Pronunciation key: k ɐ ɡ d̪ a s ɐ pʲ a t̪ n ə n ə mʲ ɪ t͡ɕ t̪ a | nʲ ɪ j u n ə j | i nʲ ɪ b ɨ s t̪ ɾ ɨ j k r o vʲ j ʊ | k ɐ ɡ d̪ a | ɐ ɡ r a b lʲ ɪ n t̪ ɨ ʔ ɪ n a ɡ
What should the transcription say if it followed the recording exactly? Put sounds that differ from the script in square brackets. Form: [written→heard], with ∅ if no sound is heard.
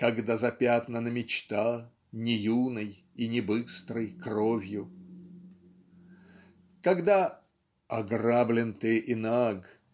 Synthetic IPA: k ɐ ɡ d̪ a [s→z] ɐ pʲ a t̪ n ə n ə mʲ ɪ t͡ɕ t̪ a | nʲ ɪ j u n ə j | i nʲ ɪ b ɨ s t̪ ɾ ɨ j k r o vʲ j ʊ | k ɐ ɡ d̪ a | ɐ ɡ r a b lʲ ɪ n t̪ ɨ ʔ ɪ n a ɡ